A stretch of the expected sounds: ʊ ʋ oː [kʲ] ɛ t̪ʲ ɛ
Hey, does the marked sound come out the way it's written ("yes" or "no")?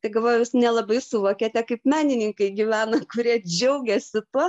yes